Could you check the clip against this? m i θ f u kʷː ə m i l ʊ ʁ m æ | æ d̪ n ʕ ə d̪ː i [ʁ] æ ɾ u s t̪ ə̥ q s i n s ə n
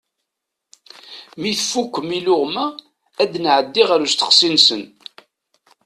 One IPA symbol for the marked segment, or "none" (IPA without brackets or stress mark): ʁ